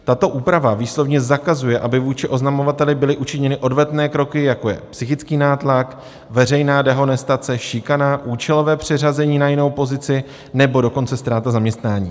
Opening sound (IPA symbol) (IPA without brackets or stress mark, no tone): t̪